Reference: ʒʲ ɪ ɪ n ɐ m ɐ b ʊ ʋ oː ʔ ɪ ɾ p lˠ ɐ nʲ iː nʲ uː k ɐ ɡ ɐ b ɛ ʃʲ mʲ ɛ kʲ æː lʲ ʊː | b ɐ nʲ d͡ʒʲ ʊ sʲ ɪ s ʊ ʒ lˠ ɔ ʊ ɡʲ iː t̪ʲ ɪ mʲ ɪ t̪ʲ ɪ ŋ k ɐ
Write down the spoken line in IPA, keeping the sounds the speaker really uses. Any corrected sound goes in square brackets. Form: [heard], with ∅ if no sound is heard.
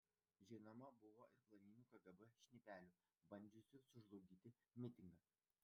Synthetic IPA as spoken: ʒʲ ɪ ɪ n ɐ m ɐ b ʊ ʋ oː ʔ ɪ ɾ p lˠ ɐ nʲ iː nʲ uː k ɐ ɡ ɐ b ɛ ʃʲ [nʲ] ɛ [pʲ] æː lʲ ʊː | b ɐ nʲ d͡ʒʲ ʊ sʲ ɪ s ʊ ʒ lˠ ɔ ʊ ɡʲ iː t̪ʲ ɪ mʲ ɪ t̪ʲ ɪ ŋ [ɡ] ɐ